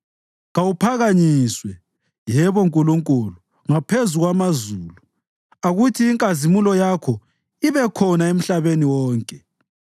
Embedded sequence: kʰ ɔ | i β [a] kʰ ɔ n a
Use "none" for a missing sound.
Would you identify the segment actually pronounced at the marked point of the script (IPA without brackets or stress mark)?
ɛ